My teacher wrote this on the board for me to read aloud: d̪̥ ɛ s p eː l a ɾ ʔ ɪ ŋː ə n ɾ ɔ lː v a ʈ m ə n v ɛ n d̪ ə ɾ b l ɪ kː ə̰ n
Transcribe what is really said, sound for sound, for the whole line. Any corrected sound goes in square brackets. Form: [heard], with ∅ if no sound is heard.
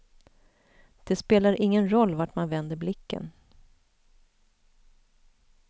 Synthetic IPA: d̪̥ ɛ s p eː l a ɾ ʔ ɪ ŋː ə n ɾ ɔ lː v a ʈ m [a] n v ɛ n d̪ ə ɾ b l ɪ kː ə̰ n